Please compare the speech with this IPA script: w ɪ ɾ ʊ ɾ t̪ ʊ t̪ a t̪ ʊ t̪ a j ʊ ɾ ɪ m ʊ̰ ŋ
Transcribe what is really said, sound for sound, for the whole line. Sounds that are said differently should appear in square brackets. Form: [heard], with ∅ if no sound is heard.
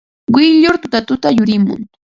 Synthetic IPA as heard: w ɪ [ʎ] ʊ ɾ t̪ ʊ t̪ a t̪ ʊ t̪ a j ʊ ɾ ɪ m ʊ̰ ŋ